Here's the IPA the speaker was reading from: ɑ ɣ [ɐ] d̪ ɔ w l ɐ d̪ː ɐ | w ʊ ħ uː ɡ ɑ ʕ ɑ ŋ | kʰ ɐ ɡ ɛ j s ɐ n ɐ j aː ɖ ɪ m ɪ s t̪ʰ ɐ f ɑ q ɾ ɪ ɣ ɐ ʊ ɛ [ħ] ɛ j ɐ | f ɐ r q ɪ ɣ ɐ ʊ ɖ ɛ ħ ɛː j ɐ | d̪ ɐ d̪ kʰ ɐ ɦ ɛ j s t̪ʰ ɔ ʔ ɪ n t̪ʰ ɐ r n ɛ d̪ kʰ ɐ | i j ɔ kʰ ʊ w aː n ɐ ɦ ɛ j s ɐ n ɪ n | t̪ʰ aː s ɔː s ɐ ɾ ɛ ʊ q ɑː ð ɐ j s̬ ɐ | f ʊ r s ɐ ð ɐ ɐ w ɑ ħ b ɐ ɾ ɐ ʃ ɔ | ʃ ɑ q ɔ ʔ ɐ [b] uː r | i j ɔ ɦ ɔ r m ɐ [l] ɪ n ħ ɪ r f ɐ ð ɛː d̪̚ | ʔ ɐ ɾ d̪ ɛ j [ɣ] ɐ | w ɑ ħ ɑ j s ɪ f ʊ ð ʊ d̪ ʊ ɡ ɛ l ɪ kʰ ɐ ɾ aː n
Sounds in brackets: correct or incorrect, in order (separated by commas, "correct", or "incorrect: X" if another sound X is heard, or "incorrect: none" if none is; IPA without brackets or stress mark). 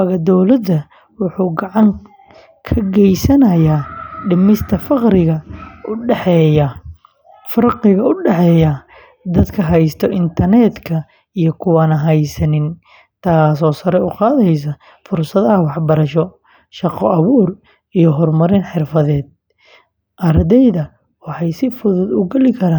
correct, correct, incorrect: β, incorrect: ɾ, incorrect: ð